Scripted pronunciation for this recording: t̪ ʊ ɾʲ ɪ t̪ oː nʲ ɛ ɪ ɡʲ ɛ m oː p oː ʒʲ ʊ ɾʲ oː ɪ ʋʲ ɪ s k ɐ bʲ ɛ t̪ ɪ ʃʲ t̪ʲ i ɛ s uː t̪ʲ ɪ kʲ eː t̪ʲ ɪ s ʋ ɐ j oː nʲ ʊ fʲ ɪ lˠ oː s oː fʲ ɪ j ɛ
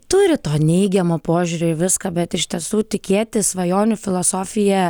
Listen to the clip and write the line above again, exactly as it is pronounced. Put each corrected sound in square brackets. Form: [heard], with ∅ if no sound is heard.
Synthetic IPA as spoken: t̪ ʊ ɾʲ ɪ t̪ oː nʲ ɛ ɪ ɡʲ ɛ m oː p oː ʒʲ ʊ ɾʲ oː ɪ ʋʲ ɪ s k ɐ bʲ ɛ t̪ ɪ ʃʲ t̪ʲ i ɛ s uː t̪ʲ ɪ kʲ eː t̪ʲ ɪ s ʋ ɐ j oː nʲ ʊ fʲ ɪ lˠ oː s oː fʲ ɪ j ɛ